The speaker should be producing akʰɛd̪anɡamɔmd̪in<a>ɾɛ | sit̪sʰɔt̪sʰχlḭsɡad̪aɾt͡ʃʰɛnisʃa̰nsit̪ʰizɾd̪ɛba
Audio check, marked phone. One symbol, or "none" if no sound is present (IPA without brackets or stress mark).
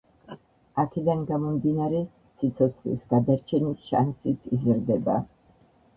a